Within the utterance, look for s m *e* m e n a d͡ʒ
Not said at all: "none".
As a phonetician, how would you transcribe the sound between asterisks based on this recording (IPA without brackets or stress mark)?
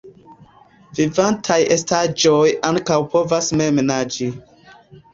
e